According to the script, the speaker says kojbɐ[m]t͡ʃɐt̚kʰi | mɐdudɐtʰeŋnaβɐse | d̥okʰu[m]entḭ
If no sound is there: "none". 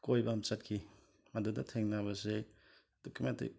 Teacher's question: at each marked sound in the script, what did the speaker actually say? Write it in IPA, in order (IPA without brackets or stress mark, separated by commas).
m, m